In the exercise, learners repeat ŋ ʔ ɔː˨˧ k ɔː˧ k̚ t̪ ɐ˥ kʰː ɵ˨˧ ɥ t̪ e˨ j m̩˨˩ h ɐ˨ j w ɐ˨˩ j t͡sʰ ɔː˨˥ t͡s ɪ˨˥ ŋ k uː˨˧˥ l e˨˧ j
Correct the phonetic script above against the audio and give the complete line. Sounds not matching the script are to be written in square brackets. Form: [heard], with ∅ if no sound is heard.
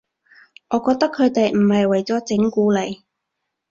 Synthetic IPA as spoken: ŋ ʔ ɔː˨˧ k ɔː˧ k̚ t̪ ɐ˥ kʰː ɵ˨˧ ɥ t̪ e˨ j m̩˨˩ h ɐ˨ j w ɐ˨˩ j [t͡s] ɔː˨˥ t͡s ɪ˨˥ ŋ k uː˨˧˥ l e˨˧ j